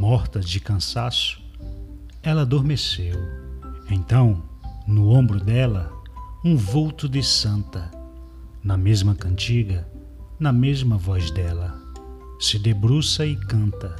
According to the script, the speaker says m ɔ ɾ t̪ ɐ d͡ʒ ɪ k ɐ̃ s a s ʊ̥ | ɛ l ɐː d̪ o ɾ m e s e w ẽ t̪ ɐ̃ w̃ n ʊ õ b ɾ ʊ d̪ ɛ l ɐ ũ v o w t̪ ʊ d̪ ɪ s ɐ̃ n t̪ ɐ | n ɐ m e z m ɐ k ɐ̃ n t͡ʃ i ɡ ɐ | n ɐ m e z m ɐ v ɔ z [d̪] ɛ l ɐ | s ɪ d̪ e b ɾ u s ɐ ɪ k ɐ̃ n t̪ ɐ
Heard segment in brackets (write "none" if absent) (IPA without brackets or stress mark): d̪